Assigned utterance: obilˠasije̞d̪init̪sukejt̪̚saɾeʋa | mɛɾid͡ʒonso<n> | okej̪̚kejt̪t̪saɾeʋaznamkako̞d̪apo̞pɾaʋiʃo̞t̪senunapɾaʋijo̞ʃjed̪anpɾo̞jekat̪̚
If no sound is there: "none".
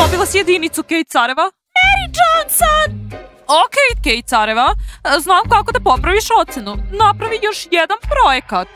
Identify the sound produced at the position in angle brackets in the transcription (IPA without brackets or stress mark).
n